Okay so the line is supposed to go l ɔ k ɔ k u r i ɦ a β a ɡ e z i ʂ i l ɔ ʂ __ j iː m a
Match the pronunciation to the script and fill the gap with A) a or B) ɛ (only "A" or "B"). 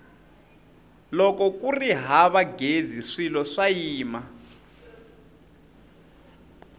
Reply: A